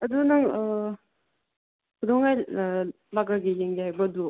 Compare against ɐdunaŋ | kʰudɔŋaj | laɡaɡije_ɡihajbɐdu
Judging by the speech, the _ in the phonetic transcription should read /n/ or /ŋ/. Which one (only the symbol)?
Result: ŋ